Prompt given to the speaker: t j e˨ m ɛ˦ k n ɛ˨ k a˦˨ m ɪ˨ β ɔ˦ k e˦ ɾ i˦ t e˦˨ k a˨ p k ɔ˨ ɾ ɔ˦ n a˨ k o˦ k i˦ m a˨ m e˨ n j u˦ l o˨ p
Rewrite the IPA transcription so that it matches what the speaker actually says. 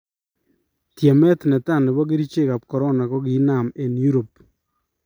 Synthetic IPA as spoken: t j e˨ m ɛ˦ t n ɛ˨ t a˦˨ n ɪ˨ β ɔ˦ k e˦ ɾ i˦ t͡ʃ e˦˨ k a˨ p k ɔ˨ ɾ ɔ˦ n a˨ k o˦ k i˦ n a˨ m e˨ n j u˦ ɾ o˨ p

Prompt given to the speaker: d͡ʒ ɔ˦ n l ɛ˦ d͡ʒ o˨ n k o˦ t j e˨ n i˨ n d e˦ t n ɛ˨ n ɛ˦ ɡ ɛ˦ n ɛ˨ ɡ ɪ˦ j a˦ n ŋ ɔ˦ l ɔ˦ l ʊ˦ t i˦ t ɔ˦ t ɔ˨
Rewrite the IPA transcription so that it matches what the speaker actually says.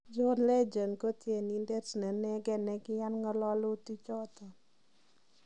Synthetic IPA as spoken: d͡ʒ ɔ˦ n l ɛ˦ d͡ʒ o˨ n k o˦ t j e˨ n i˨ n d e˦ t n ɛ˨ n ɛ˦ ɡ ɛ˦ n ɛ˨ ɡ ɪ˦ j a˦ n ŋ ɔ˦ l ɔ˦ l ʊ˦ t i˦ t͡ʃ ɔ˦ t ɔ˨

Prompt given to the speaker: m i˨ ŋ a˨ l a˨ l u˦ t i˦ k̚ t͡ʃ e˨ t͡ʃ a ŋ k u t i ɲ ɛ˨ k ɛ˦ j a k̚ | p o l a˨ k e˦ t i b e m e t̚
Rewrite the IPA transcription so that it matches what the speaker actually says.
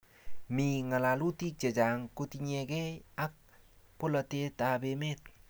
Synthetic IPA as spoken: m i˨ ŋ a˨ l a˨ l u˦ t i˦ k̚ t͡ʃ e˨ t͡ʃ a ŋ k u t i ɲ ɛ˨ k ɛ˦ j a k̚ | p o l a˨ t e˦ t a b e m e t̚

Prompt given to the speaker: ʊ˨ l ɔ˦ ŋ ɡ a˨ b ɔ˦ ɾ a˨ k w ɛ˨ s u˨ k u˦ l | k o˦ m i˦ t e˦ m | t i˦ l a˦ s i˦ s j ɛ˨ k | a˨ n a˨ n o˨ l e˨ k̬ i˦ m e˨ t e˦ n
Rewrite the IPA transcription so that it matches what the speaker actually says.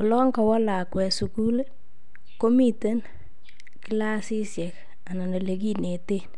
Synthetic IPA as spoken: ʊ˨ l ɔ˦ ŋ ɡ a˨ w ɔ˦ l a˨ k w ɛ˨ s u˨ k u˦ l | k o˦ m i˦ t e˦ n | k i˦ l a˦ s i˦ s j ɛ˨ k | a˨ n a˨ n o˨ l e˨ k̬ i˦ n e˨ t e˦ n

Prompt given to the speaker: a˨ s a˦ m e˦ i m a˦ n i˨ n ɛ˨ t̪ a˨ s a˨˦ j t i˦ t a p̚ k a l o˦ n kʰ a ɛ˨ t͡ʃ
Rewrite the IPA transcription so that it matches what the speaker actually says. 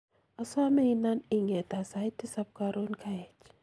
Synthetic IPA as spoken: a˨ s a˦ m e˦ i n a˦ n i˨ ŋ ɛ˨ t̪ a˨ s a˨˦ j t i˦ s a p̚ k a ɾ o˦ n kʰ a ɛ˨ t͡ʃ

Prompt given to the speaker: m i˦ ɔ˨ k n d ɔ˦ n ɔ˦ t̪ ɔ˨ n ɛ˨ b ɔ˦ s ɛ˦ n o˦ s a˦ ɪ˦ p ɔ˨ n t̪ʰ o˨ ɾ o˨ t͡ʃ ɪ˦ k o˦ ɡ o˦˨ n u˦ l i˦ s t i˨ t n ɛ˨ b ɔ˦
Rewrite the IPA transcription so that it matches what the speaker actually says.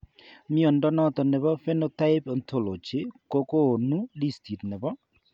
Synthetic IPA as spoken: m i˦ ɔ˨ n d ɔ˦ n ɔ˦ t̪ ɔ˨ n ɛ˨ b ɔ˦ f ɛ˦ n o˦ t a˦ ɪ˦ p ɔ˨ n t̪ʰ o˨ l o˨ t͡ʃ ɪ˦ k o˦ k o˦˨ n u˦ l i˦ s t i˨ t n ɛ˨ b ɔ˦

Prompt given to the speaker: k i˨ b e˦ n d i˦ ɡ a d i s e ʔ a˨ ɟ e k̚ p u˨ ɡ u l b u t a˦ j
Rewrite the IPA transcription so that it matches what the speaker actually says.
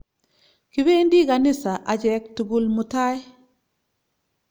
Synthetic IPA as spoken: k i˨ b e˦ n d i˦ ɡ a n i s a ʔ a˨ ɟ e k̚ t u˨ ɡ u l m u t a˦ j

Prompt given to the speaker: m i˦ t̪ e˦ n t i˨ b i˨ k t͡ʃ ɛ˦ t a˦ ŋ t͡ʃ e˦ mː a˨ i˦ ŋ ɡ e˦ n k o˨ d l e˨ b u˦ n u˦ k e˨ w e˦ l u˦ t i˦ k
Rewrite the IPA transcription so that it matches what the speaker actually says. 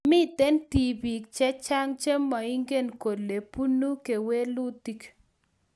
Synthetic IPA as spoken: m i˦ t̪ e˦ n t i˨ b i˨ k t͡ʃ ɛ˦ t͡ʃ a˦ ŋ t͡ʃ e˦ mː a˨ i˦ ŋ ɡ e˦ n k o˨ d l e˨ p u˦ n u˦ k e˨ w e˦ l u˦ t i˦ k

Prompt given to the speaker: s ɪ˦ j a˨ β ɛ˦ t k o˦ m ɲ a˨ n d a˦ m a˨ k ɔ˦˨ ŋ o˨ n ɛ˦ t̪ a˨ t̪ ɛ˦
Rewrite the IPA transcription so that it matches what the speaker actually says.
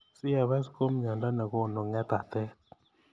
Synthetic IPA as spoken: s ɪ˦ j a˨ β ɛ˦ s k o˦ m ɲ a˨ n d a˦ n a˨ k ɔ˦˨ n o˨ ŋ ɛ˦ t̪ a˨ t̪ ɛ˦

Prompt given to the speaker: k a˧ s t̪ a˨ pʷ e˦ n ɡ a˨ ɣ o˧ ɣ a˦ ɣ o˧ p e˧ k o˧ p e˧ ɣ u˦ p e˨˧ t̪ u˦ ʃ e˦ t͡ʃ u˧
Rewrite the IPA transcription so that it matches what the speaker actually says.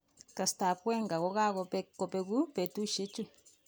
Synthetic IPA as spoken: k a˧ s t̪ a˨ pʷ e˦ ŋ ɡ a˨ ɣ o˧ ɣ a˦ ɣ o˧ p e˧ k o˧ p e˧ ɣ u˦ p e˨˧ t̪ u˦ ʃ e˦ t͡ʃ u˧

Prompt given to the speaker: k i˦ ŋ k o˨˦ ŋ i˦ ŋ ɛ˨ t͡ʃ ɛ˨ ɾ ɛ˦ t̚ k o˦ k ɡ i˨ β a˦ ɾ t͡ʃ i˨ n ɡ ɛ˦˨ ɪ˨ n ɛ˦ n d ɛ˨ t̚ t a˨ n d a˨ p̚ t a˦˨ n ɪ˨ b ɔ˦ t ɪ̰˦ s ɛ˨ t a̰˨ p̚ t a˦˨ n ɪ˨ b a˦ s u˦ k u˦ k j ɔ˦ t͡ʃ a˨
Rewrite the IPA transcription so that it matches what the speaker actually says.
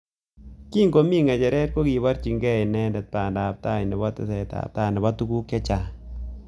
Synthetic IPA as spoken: k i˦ ŋ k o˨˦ m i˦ ŋ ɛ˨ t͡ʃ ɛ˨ ɾ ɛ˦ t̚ k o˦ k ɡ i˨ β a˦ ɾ t͡ʃ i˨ ŋ ɡ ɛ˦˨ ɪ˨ n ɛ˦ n d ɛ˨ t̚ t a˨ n d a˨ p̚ t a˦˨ n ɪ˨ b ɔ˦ t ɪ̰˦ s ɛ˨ t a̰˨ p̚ t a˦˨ n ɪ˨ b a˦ t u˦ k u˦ k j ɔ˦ t͡ʃ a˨

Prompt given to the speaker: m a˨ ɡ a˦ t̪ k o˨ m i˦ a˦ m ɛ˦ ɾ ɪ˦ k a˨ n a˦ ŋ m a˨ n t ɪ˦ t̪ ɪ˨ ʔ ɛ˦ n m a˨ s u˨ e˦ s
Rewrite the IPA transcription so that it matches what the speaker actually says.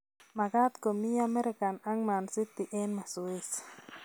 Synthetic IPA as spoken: m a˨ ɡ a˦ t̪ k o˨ m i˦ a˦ m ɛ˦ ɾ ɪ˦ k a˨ n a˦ ŋ m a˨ n s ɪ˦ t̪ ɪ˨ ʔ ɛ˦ n m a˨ s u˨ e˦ s

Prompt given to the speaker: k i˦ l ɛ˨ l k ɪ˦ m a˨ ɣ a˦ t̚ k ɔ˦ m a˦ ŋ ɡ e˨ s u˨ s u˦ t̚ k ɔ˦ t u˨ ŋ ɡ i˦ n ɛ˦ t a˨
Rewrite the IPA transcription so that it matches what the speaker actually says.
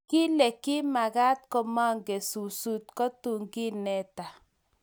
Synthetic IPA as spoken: k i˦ l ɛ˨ k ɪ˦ m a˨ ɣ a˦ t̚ k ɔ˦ m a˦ ŋ ɡ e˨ s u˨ s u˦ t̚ k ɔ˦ t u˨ ŋ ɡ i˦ n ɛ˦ t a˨

